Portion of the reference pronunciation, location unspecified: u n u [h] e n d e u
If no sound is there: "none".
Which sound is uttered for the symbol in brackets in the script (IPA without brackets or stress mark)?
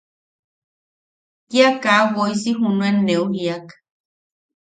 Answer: none